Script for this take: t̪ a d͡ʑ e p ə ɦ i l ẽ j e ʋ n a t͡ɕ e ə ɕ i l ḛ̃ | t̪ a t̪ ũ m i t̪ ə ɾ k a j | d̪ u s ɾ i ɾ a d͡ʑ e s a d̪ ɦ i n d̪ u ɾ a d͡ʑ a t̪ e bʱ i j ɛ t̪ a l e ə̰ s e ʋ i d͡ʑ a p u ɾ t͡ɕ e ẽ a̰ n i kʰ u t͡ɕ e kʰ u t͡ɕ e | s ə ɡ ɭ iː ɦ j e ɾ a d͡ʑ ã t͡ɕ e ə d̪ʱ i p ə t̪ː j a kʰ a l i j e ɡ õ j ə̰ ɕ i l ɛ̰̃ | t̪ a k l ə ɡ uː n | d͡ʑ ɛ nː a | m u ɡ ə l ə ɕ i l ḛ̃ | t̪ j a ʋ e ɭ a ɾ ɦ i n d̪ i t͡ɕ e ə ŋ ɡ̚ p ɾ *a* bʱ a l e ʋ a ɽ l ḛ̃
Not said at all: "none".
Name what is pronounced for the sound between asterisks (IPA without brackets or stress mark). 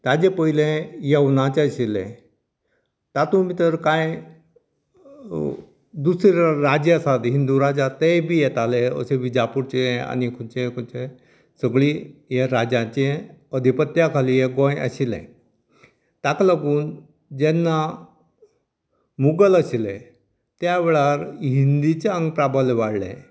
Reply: a